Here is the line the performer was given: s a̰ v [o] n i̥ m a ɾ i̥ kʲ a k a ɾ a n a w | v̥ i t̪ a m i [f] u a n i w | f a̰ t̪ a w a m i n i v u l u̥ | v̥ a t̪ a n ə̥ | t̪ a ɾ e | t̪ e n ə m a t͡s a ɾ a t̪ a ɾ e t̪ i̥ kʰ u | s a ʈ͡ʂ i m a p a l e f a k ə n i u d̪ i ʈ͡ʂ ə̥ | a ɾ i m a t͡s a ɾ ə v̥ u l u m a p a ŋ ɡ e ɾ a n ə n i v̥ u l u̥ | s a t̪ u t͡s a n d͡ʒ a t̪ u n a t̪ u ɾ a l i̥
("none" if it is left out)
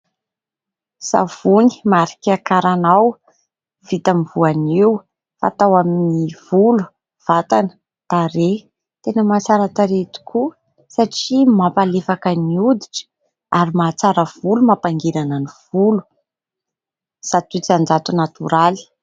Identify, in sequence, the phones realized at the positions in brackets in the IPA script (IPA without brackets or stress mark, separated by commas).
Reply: u, v